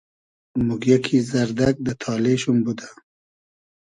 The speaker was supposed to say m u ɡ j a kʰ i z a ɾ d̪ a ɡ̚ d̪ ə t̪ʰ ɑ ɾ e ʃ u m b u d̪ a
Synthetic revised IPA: m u ɡ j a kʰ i z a ɾ d̪ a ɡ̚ d̪ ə t̪ʰ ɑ l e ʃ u m b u d̪ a